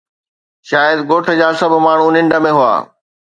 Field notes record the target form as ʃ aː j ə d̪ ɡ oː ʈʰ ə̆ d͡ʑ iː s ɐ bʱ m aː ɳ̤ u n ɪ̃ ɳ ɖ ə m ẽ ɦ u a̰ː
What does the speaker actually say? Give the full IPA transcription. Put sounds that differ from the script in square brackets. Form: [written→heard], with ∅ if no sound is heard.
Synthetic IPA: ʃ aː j ə d̪ ɡ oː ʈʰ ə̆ d͡ʑ [iː→aː] s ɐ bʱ m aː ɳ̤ u n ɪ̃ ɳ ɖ ə m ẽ ɦ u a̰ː